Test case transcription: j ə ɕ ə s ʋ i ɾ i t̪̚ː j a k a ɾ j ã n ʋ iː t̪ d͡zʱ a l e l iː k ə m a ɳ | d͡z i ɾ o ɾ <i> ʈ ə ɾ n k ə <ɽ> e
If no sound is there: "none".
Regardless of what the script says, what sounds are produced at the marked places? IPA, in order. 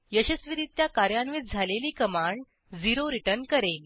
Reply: i, ɾ

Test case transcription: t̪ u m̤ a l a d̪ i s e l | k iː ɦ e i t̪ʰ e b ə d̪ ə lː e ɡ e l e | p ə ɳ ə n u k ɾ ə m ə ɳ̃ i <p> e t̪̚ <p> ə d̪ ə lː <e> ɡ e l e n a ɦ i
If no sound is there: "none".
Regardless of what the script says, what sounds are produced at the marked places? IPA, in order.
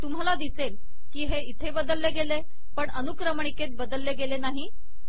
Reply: k, b, e

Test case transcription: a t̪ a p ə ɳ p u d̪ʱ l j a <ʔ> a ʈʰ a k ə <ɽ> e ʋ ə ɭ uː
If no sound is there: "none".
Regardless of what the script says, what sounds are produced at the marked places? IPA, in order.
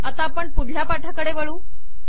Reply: p, ɽ

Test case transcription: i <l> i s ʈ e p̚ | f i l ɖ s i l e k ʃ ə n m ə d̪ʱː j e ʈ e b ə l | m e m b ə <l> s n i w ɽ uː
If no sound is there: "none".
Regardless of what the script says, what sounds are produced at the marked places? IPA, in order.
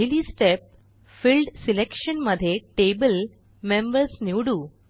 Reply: l, ɾ

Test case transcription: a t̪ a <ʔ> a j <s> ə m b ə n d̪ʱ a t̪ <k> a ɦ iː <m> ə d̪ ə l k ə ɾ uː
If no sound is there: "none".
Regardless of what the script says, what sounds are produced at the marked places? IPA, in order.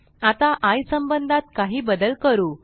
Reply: ʔ, s, k, b

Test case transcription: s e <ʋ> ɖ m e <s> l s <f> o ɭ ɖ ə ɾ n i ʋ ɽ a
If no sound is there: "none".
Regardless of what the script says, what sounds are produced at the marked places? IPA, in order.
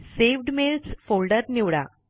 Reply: ʋ, none, f

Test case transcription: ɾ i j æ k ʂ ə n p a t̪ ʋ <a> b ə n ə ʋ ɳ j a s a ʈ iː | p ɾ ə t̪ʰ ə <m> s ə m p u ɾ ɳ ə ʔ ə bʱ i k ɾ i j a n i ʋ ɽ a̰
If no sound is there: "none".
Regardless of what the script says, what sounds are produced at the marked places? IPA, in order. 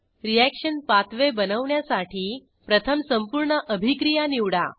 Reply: e, m

